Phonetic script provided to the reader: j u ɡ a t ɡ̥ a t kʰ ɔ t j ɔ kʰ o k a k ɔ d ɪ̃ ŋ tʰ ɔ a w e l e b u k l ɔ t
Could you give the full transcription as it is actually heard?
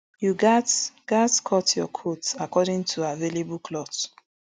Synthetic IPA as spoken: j u ɡ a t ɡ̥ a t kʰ ɔ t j ɔ kʰ o t a k ɔ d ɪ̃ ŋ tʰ u a v e l e b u k l ɔ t

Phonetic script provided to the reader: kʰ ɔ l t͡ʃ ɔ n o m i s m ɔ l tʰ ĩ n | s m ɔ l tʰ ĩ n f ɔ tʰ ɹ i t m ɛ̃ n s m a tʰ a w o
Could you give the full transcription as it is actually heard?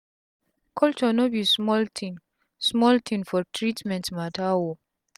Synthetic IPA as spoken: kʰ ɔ l t͡ʃ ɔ n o b i s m ɔ l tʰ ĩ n | s m ɔ l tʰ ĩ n f ɔ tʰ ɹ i t m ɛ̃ n t m a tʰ a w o

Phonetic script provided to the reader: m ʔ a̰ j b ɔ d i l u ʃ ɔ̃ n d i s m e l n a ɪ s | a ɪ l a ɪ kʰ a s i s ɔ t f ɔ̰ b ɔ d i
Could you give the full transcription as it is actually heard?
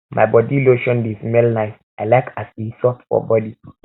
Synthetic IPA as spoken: m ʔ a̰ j b ɔ d i l o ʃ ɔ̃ n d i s m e l n a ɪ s | a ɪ l a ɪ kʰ a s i s ɔ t f ɔ̰ b ɔ d i

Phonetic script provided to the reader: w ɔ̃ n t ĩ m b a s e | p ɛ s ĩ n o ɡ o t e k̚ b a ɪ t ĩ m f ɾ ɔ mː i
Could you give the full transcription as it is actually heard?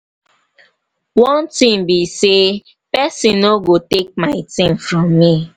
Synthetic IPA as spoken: w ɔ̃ n t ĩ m b i s e | p ɛ s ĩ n o ɡ o t e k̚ m a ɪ t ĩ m f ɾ ɔ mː i

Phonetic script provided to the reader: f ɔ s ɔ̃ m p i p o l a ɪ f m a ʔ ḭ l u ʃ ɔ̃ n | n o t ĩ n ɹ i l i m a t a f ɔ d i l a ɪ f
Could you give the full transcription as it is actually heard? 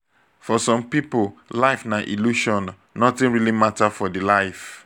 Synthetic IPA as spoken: f ɔ s ɔ̃ m p i p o l a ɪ f n a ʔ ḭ l u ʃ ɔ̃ n | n ɔ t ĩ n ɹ i l i m a t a f ɔ d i l a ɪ f

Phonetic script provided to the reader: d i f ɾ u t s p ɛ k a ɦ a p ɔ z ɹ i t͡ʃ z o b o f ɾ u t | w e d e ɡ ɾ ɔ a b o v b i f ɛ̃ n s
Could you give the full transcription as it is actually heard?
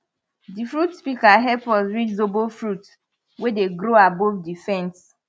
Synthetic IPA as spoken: d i f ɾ u t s p i k a ɦ ɛ p ɔ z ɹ i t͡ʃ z o b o f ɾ u t | w e d e ɡ ɾ o a b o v d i f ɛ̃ n s

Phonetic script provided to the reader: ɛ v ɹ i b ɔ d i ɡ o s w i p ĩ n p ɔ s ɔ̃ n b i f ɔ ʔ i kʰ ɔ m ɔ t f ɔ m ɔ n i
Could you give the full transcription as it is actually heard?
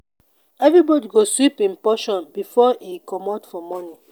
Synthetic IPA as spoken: ɛ v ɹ i b ɔ d i ɡ o s w i p ĩ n p ɔ ʃ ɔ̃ n b i f ɔ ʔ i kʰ ɔ m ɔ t f ɔ m ɔ n i

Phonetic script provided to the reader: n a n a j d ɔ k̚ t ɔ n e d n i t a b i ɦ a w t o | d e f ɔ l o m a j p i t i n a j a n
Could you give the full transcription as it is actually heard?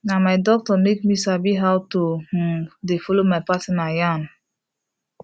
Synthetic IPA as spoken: n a m a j d ɔ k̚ t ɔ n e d m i s a b i ɦ a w t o | d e f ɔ l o m a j p a t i n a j a n

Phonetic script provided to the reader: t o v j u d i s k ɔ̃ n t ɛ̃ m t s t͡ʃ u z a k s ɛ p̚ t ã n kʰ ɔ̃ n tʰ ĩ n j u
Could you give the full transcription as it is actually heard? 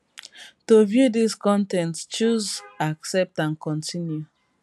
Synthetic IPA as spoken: t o v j u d i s k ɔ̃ n t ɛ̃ n t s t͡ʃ u z a k s ɛ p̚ t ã n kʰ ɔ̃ n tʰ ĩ n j u

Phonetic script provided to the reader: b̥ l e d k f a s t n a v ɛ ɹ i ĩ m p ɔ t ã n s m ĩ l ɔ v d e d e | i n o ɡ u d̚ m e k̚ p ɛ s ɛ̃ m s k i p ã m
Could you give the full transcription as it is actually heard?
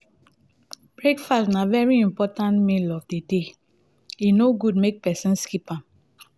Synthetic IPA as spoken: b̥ ɹ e k f a s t n a v ɛ ɹ i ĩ m p ɔ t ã n t m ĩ l ɔ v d e d e | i n o ɡ u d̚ m e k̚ p ɛ s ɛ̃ n s k i p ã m

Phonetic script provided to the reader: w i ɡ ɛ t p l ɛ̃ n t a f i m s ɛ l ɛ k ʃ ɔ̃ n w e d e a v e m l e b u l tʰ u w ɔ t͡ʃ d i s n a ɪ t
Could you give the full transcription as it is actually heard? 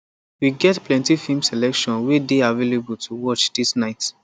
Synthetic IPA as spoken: w i ɡ ɛ t p l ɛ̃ n t i f i m s ɛ l ɛ k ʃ ɔ̃ n w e d e a v e l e b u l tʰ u w ɔ t͡ʃ d i s n a ɪ t

